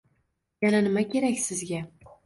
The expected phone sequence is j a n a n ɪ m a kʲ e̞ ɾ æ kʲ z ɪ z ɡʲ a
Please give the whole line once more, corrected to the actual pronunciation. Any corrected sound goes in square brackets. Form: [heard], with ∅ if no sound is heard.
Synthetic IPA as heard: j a n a n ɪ m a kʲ e̞ ɾ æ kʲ [s] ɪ z ɡʲ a